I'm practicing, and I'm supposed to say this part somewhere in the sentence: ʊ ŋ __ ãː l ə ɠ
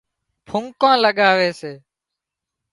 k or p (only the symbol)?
k